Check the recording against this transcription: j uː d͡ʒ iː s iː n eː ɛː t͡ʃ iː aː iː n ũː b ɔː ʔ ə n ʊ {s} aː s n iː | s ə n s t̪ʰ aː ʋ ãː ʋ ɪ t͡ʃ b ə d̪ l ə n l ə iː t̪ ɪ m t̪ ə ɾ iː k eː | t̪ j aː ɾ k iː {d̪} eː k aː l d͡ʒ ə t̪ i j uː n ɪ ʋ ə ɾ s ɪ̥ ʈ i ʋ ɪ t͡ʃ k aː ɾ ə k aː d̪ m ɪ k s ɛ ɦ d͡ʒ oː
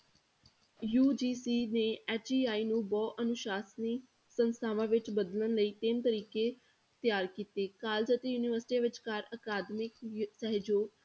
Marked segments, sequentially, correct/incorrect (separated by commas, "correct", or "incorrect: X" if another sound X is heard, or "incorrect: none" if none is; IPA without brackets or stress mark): incorrect: ʃ, incorrect: t̪